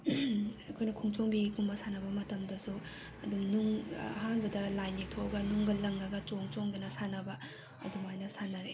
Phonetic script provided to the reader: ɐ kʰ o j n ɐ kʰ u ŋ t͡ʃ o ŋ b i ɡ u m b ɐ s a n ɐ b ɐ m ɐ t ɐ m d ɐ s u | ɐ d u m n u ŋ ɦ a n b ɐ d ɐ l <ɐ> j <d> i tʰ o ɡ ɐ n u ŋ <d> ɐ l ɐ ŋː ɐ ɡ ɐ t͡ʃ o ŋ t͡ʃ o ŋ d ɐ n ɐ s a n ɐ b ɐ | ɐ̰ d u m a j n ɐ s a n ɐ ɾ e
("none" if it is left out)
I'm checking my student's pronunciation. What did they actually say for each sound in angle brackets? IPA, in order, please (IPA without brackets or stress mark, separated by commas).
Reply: a, n, ɡ